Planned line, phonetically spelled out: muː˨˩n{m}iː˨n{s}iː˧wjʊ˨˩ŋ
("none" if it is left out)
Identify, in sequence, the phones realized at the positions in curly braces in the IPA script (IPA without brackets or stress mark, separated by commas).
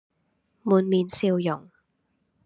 m, s